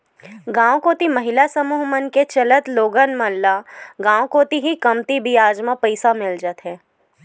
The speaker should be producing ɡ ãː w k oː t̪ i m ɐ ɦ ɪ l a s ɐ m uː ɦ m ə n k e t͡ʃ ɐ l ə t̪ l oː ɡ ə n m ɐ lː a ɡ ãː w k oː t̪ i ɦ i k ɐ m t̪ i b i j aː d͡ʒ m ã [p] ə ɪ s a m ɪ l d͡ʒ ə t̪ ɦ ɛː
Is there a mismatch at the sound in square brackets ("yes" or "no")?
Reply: no